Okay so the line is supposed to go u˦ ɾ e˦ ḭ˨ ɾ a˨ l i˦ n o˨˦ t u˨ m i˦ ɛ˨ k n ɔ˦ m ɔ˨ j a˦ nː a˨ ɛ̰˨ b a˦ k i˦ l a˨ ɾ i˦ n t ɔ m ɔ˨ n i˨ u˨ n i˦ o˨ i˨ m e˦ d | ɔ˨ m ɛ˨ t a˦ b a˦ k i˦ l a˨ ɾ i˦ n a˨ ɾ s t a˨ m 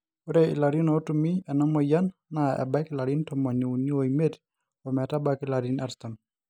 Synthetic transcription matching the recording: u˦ ɾ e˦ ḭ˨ l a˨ ɾ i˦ n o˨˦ t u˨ m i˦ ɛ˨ n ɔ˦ m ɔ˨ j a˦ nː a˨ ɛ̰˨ b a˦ k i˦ l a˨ ɾ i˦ n t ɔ m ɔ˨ n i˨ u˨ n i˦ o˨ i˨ m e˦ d | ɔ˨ m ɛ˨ t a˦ b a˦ k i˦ l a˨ ɾ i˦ n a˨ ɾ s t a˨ m